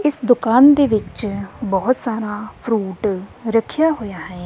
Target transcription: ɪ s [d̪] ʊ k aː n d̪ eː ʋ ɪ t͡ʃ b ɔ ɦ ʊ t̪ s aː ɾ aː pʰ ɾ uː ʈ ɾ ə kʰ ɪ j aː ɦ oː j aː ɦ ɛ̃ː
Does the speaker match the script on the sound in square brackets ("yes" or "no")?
yes